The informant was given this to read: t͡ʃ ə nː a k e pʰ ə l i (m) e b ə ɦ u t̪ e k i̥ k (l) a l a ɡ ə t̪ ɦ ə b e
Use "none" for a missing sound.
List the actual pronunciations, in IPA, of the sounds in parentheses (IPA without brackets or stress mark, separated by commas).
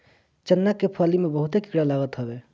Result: m, ɽ